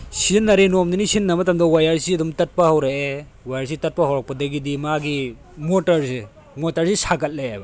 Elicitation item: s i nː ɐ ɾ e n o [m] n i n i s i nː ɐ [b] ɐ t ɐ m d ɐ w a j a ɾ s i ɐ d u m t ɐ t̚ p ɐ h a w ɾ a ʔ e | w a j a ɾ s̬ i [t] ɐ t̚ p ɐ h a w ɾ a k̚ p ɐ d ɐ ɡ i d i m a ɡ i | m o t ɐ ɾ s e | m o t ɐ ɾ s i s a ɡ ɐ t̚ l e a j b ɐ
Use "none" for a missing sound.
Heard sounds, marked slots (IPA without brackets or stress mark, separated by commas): m, m, t